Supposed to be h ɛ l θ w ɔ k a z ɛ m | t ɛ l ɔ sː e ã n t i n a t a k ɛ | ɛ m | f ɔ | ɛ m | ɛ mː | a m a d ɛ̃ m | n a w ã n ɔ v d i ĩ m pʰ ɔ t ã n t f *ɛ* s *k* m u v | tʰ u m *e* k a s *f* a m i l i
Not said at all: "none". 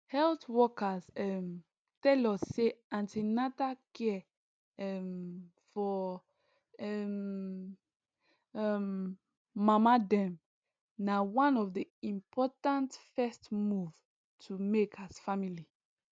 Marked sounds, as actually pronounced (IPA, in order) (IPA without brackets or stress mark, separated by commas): ɛ, t, e, f